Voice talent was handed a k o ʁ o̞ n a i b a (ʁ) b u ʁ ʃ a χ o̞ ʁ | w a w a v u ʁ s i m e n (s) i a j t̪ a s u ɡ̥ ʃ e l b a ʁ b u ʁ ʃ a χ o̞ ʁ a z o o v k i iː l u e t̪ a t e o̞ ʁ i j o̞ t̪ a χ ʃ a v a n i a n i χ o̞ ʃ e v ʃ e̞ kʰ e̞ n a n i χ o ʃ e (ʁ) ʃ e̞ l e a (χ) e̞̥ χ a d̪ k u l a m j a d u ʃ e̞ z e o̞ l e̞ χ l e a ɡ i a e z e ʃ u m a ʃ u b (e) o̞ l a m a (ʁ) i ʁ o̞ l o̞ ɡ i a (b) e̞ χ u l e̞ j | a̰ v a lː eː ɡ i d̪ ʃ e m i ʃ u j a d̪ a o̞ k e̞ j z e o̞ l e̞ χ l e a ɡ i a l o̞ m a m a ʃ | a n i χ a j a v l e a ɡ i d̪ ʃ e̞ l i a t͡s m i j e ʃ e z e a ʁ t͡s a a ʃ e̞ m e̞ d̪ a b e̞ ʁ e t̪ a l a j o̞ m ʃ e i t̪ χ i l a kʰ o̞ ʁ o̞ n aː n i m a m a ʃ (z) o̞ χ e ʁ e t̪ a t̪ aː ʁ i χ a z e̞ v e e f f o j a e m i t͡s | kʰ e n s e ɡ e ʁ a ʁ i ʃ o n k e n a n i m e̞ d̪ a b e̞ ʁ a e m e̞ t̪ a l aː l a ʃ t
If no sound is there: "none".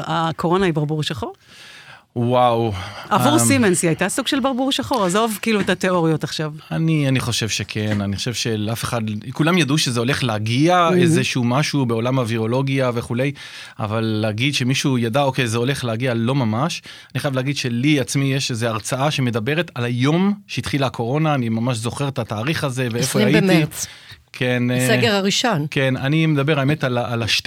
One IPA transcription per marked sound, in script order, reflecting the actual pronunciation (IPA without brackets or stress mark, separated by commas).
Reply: ʁ, s, v, f, e, v, v, z